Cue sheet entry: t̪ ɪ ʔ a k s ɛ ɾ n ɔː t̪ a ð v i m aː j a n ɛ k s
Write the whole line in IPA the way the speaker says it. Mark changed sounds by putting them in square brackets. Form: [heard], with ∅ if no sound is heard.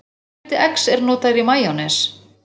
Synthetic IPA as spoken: t̪ ɪ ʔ [ɛ] k s ɛ ɾ n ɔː t̪ a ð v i m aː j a n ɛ [∅] s